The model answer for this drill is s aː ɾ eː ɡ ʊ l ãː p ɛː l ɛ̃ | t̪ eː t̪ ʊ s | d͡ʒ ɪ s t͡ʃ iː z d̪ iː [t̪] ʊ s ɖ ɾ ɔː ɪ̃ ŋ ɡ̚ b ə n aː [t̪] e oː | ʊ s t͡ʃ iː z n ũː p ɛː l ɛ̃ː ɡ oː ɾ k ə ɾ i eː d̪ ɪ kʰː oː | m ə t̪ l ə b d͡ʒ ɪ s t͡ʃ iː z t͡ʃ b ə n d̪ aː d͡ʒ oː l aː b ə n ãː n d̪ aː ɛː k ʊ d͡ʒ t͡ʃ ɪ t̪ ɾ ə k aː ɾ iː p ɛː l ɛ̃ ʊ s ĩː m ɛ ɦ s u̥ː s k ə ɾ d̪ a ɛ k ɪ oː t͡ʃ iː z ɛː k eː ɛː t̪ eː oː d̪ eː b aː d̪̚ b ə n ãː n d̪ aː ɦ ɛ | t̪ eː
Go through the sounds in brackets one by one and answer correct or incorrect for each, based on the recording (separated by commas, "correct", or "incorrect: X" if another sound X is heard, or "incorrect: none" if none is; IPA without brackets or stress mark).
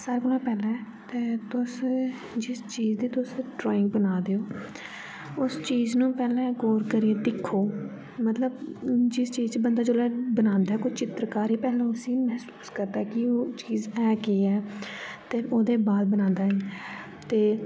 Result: correct, incorrect: d̪